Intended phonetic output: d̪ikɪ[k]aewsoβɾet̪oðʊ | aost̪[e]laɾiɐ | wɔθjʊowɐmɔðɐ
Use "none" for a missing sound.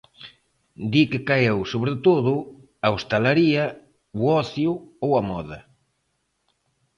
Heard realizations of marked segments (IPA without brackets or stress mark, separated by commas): k, a